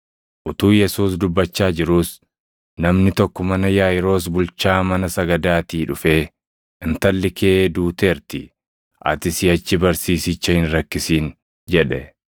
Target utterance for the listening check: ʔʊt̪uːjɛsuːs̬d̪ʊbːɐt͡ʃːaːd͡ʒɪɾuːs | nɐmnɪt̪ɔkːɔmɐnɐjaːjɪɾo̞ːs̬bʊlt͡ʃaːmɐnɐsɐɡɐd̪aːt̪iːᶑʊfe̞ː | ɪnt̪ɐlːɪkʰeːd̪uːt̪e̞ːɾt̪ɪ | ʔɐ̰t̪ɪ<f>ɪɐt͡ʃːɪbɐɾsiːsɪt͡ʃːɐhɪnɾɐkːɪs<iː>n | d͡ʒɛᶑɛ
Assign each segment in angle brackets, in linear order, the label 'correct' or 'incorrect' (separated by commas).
incorrect, correct